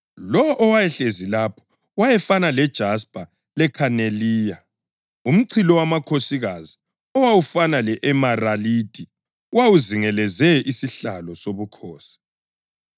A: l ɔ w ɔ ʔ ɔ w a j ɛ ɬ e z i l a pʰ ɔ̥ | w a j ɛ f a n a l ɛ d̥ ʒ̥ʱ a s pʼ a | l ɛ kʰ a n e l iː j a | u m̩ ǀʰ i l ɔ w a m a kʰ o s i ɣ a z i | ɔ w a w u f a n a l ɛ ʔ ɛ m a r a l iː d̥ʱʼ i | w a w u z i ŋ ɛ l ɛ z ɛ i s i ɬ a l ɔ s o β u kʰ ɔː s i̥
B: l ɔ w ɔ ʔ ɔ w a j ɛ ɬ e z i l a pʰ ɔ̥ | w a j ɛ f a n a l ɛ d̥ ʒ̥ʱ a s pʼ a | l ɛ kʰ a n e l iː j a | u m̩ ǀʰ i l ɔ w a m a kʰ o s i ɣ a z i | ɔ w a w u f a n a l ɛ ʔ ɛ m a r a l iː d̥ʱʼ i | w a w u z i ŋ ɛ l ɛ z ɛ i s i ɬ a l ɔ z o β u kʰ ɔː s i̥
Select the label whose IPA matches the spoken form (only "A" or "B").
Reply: A